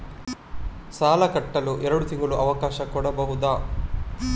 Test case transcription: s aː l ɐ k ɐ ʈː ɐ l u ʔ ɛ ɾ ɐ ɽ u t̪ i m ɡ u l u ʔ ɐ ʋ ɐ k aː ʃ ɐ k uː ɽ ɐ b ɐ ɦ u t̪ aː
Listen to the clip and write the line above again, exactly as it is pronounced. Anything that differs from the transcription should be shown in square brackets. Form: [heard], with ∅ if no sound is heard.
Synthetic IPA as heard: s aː l ɐ k ɐ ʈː ɐ l u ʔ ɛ ɾ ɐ ɽ u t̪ i [ŋ] ɡ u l u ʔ ɐ ʋ ɐ k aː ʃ ɐ k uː ɽ ɐ b ɐ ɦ u [d̪] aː